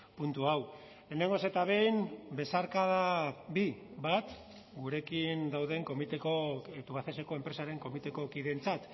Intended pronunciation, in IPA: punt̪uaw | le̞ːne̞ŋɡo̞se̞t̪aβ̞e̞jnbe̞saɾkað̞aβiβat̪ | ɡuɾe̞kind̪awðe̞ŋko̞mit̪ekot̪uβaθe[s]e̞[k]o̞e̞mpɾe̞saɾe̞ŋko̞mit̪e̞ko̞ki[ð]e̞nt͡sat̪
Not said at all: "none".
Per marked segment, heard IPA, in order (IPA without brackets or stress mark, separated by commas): s, k, ð